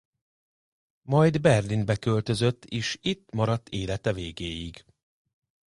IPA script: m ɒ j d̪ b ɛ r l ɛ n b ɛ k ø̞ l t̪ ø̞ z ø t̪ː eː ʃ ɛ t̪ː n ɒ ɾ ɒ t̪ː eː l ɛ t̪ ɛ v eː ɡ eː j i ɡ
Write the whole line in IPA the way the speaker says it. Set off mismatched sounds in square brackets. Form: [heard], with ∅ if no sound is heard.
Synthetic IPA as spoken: m ɒ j d̪ b ɛ r l [i] n b ɛ k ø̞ l t̪ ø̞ z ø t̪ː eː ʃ [i] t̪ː [m] ɒ ɾ ɒ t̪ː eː l ɛ t̪ ɛ v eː ɡ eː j i ɡ